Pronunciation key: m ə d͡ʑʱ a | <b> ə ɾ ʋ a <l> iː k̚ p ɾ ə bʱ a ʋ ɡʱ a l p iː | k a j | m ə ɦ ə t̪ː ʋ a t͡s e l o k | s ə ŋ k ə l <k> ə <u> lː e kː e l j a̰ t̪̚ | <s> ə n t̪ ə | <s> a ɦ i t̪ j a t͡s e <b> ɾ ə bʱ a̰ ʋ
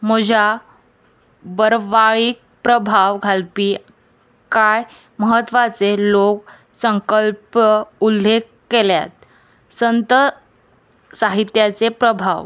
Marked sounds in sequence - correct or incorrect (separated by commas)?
correct, incorrect, incorrect, correct, correct, correct, incorrect